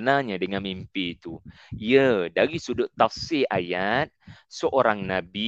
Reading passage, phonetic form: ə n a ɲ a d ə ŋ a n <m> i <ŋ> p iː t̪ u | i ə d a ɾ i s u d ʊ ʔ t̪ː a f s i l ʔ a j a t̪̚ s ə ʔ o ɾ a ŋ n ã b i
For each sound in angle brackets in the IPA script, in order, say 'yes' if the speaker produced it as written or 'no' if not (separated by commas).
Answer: yes, no